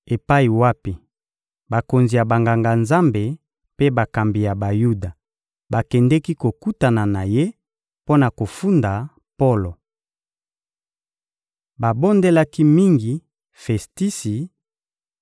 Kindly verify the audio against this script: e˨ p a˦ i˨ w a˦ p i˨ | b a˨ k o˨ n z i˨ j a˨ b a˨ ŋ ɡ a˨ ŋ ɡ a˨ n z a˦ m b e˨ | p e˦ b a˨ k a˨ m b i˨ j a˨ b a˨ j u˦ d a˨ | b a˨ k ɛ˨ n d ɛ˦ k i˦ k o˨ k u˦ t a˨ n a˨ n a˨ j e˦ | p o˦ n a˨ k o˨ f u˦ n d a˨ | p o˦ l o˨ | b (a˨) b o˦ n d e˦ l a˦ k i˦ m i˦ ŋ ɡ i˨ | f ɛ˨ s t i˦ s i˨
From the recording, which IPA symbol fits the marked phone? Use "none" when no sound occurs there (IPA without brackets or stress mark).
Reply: a˨